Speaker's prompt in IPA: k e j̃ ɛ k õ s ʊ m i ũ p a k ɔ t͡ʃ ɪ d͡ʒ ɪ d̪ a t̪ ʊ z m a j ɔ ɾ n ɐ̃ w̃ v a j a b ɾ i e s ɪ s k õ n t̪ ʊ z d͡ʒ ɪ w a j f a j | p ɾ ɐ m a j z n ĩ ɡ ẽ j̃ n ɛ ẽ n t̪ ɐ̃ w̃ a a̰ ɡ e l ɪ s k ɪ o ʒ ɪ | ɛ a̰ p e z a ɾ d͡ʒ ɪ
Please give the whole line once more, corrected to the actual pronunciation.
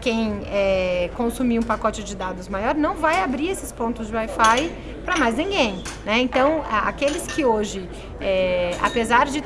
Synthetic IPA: k ẽ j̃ ɛ k õ s u m i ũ p a k ɔ t͡ʃ ɪ d͡ʒ ɪ d̪ a d̪ ʊ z m a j ɔ ɾ n ɐ̃ w̃ v a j a b ɾ i e s ɪ s p õ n t̪ ʊ z d͡ʒ ɪ w a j f a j | p ɾ ɐ m a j z n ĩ ɡ ẽ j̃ n ɛ ẽ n t̪ ɐ̃ w̃ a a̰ k e l ɪ s k ɪ o ʒ ɪ | ɛ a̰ p e z a ɾ d͡ʒ ɪ

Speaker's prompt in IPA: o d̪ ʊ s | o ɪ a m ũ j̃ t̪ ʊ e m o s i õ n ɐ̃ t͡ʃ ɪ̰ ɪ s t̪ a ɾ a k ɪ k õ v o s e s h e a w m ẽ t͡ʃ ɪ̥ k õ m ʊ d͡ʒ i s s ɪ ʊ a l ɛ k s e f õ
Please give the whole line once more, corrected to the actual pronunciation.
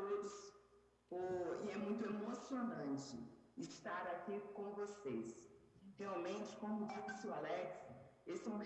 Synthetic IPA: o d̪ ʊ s | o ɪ ɛ m ũ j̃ t̪ ʊ e m o s i o n ɐ̃ t͡ʃ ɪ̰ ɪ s t̪ a ɾ a k i k õ v o s e s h e a w m ẽ t͡ʃ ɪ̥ k õ m ʊ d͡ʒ i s s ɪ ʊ a l ɛ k s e s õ

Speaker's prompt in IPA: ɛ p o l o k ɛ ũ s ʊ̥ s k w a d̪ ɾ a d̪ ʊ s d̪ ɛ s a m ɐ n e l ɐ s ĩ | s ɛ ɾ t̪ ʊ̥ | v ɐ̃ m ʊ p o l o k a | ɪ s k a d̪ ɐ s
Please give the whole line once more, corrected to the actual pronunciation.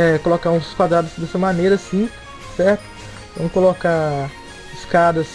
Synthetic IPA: ɛ k o l o k a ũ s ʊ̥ s k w a d̪ ɾ a d̪ ʊ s d̪ ɛ s ɐ m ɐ n e ɾ ɐ s ĩ | s ɛ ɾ t̪ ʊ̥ | v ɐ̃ m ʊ k o l o k a | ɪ s k a d̪ ɐ s

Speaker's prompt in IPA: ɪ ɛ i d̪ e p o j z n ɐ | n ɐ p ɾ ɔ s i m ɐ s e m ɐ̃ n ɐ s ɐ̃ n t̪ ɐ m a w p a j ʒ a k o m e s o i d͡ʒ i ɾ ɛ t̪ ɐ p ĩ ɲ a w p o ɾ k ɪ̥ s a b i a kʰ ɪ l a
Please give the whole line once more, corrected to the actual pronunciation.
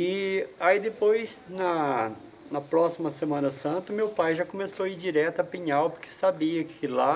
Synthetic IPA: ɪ a i d̪ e p o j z n ɐ | n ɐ p ɾ ɔ s i m ɐ s e m ɐ̃ n ɐ s ɐ̃ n t̪ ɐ m e w p a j ʒ a k o m e s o i d͡ʒ i ɾ ɛ t̪ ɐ p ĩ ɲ a w p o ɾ k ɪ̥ s a b i ɐ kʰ ɪ l a

